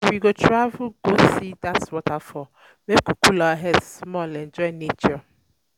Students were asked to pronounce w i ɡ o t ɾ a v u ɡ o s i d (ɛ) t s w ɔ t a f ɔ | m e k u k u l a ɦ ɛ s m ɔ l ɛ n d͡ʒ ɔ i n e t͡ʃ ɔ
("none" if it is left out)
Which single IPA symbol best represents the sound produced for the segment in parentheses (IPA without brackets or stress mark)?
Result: a